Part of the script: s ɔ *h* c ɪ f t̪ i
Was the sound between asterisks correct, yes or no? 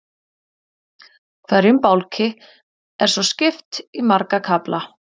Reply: no